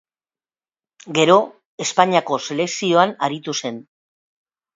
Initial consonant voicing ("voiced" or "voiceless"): voiced